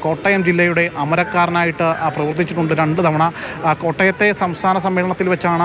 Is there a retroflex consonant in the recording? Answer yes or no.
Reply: yes